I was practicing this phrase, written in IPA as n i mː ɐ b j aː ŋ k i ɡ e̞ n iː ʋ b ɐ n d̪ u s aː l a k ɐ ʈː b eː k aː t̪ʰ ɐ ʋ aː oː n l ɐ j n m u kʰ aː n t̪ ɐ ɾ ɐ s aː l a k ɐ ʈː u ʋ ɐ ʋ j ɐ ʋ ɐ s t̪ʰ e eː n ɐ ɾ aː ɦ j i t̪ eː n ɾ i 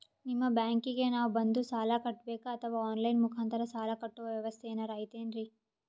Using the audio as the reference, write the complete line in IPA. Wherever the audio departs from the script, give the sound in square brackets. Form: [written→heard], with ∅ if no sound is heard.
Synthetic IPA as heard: n i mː ɐ b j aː ŋ k i ɡ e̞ n [iː→aː] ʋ b ɐ n d̪ u s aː l a k ɐ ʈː b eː k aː t̪ʰ ɐ ʋ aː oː n l ɐ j n m u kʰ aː n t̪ ɐ ɾ ɐ s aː l a k ɐ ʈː u ʋ ɐ ʋ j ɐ ʋ ɐ s t̪ʰ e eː n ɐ ɾ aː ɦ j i t̪ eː n ɾ i

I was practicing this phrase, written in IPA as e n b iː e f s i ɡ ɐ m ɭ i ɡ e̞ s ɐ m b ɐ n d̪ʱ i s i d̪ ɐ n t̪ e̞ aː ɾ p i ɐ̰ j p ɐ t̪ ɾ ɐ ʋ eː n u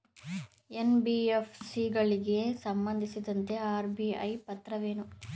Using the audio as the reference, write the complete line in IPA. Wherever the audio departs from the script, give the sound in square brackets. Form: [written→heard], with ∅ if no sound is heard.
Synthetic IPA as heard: e n b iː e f s i ɡ ɐ [m→∅] ɭ i ɡ e̞ s ɐ m b ɐ n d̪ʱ i s i d̪ ɐ n t̪ e̞ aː ɾ [p→b] i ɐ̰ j p ɐ t̪ ɾ ɐ ʋ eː n u

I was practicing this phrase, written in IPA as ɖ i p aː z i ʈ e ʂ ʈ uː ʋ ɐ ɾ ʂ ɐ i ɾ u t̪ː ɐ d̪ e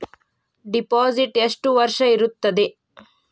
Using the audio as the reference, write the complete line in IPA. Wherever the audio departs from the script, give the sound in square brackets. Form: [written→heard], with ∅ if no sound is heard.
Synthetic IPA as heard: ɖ i p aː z i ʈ e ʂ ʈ [uː→u] ʋ ɐ ɾ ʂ ɐ i ɾ u t̪ː ɐ d̪ e

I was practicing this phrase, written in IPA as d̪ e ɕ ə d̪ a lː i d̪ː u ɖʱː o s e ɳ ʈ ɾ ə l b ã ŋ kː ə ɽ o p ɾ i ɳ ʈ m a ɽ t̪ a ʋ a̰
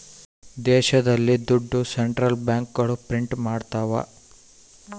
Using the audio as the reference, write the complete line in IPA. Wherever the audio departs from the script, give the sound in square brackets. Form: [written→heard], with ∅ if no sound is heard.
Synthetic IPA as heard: d̪ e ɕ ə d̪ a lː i [d̪ː→d̪] u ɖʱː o s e ɳ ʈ ɾ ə l b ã ŋ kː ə ɽ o p ɾ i ɳ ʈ m a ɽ t̪ a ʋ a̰

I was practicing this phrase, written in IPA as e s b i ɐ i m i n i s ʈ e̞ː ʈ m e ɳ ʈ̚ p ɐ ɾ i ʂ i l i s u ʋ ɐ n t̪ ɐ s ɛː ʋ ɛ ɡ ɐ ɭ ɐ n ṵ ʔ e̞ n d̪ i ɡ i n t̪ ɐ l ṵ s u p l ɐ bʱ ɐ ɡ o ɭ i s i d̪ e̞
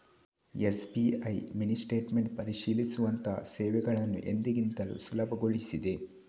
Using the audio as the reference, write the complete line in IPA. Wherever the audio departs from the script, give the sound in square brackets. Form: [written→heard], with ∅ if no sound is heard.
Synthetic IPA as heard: e s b i ɐ [i→j] m i n i s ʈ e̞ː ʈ m e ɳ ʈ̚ p ɐ ɾ i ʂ [i→iː] l i s u ʋ ɐ n t̪ ɐ s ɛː ʋ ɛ ɡ ɐ ɭ ɐ [n→nː] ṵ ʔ e̞ n d̪ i ɡ i n t̪ ɐ l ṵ s u [p→∅] l ɐ bʱ ɐ ɡ o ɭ i s i d̪ e̞

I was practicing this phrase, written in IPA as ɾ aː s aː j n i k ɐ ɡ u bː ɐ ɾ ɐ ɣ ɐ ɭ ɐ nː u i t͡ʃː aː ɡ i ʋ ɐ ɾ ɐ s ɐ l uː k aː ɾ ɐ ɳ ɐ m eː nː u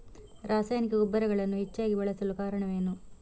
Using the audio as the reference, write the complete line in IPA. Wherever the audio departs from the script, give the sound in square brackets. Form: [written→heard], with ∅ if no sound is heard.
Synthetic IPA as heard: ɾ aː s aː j n i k ɐ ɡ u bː ɐ ɾ ɐ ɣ ɐ ɭ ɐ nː u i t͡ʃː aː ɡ i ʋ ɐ [ɾ→ɭ] ɐ s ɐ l [uː→u] k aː ɾ ɐ ɳ ɐ m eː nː u

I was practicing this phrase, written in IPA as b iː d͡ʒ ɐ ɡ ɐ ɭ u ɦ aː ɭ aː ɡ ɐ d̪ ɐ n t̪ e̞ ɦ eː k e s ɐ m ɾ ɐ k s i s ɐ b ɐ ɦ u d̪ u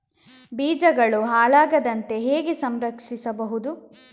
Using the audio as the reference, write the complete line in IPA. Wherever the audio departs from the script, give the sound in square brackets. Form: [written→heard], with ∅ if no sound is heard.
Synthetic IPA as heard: b iː d͡ʒ ɐ ɡ ɐ ɭ u ɦ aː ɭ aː ɡ ɐ d̪ ɐ n t̪ e̞ ɦ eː [k→ɡ] e s ɐ m ɾ ɐ k [s→ʂ] i s ɐ b ɐ ɦ u d̪ u

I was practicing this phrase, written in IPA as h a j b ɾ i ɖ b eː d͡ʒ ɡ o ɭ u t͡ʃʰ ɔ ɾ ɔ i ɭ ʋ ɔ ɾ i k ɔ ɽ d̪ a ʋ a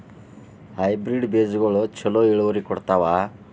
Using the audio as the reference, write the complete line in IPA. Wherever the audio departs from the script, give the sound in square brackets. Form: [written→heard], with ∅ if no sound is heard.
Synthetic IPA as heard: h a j b ɾ i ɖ b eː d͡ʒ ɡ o ɭ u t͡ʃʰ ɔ [ɾ→l] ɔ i ɭ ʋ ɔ ɾ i k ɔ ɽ [d̪→t̪] a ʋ a

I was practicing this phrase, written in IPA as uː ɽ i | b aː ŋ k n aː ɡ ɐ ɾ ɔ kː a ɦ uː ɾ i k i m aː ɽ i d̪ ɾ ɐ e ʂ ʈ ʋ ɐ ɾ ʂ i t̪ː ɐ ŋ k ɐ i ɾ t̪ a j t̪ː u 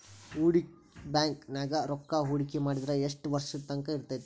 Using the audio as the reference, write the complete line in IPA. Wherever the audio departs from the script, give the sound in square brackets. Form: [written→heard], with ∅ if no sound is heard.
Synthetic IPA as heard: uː ɽ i | b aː ŋ k n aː ɡ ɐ ɾ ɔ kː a ɦ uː [ɾ→ɽ] i k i m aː ɽ i d̪ ɾ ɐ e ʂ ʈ ʋ ɐ ɾ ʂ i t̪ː ɐ ŋ k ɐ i ɾ t̪ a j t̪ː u

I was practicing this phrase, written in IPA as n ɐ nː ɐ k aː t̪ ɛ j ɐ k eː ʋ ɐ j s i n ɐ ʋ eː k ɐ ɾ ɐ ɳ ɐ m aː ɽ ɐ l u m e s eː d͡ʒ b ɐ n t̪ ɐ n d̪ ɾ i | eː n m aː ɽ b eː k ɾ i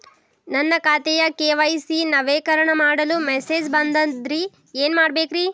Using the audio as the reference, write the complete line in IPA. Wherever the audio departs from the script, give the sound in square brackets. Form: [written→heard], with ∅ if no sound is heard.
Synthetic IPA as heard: n ɐ nː ɐ k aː t̪ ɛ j ɐ k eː ʋ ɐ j s i n ɐ ʋ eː k ɐ ɾ ɐ ɳ ɐ m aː ɽ ɐ l u m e s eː d͡ʒ b ɐ n [t̪→d̪] ɐ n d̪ ɾ i | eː n m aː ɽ b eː k ɾ i

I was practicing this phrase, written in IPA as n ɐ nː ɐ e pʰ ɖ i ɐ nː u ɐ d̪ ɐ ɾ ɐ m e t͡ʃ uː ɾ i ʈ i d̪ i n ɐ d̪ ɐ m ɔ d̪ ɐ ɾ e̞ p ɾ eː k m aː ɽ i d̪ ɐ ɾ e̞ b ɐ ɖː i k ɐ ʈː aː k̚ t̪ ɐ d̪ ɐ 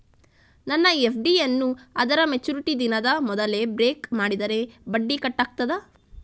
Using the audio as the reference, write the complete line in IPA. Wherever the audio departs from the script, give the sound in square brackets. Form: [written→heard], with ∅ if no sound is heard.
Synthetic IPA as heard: n ɐ nː ɐ e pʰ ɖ i ɐ nː u ɐ d̪ ɐ ɾ ɐ m e t͡ʃ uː ɾ i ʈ i d̪ i n ɐ d̪ ɐ m ɔ d̪ ɐ [ɾ→l] e̞ [p→b] ɾ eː k m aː ɽ i d̪ ɐ ɾ e̞ b ɐ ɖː i k ɐ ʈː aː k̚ t̪ ɐ d̪ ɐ

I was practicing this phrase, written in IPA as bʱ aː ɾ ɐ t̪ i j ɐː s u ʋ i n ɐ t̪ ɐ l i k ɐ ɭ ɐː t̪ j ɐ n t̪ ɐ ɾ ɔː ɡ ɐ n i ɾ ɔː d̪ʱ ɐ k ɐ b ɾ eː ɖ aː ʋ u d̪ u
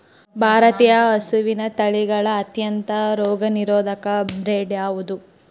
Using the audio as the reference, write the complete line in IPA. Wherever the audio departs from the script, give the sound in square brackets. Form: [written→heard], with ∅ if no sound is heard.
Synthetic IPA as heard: bʱ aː ɾ ɐ t̪ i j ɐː s u ʋ i n ɐ t̪ ɐ [l→ɭ] i [k→ɡ] ɐ ɭ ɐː t̪ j ɐ n t̪ ɐ ɾ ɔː ɡ ɐ n i ɾ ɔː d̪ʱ ɐ k ɐ b ɾ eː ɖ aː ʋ u d̪ u

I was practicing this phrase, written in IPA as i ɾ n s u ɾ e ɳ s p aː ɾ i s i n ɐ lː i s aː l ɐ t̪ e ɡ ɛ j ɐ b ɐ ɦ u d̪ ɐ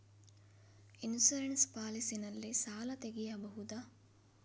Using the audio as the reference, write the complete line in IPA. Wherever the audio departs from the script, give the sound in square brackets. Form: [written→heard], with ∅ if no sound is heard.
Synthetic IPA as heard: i [ɾ→∅] n s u ɾ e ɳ s p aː [ɾ→l] i s i n ɐ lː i s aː l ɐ t̪ e ɡ [ɛ→i] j ɐ b ɐ ɦ u d̪ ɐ

